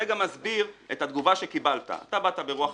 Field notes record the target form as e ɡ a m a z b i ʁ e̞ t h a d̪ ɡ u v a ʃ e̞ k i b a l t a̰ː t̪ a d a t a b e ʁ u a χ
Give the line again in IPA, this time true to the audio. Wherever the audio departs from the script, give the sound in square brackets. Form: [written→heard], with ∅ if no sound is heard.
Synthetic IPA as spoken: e ɡ a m a z b i ʁ e̞ t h a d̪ ɡ u v a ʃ e̞ k i b a l t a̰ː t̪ a [d→b] a t a b e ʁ u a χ